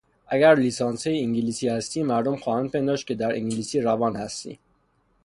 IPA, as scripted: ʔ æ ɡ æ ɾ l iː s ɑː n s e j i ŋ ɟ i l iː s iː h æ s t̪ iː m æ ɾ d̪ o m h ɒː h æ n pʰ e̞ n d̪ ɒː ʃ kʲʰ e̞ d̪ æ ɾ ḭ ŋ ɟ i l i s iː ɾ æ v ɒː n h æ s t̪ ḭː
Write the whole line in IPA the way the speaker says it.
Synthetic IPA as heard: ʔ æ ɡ æ ɾ l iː s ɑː n s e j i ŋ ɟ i l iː s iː h æ s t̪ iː m æ ɾ d̪ o m x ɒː h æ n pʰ e̞ n d̪ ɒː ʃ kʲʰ e̞ d̪ æ ɾ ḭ ŋ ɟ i l i s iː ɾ æ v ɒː n h æ s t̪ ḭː